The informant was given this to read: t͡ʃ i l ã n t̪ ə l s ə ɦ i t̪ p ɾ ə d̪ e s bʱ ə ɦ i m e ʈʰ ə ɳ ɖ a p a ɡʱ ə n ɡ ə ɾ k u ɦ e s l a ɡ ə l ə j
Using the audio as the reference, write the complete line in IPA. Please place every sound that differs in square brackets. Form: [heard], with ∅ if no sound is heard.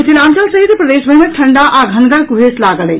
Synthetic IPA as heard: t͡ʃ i l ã n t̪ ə l s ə ɦ i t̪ p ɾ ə d̪ e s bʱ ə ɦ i m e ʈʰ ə ɳ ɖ a [ʔ] a ɡʱ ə n ɡ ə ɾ k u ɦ e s l a ɡ ə l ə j